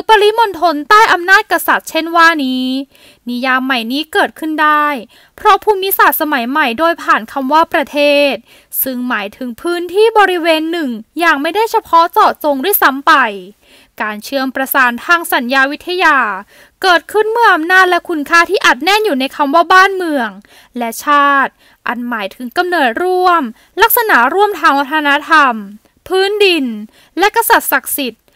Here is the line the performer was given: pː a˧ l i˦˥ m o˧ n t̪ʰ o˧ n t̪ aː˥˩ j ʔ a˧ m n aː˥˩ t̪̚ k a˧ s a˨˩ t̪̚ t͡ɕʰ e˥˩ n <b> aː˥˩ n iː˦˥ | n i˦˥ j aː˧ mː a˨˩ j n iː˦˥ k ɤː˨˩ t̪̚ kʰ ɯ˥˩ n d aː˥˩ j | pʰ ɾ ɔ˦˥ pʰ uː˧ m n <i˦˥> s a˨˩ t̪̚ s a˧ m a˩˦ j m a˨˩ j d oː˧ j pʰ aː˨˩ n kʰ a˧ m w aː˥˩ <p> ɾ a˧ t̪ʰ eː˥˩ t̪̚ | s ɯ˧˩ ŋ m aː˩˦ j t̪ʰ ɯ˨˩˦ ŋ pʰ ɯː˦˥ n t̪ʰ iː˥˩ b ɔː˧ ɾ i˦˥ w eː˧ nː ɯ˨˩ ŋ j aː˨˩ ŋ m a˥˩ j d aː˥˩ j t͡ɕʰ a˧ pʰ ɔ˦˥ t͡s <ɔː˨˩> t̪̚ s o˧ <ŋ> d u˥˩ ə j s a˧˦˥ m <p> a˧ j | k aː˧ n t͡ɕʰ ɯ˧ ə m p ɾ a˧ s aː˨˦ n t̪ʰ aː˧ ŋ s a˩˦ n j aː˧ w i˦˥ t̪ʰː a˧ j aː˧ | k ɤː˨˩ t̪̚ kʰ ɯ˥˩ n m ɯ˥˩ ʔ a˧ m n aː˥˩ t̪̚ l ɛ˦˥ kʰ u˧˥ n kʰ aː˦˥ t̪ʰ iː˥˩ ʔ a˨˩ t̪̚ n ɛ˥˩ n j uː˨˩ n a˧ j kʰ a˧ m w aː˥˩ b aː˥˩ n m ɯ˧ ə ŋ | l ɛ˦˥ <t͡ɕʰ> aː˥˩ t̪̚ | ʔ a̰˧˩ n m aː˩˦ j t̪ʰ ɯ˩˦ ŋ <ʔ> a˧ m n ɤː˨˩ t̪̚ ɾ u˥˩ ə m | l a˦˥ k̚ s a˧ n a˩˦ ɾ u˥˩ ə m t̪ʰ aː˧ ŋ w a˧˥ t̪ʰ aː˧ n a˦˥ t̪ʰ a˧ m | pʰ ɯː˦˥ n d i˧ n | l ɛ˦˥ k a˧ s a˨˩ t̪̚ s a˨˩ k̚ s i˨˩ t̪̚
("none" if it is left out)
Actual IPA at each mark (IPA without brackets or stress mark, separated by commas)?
w, i˦˥, p, ɔː˨˩, ŋ, p, t͡ɕʰ, k